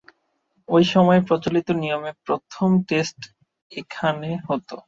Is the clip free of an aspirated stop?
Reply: no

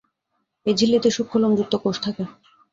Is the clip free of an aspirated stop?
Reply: no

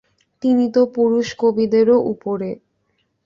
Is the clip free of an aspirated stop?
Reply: yes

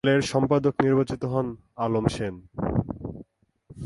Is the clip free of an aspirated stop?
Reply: yes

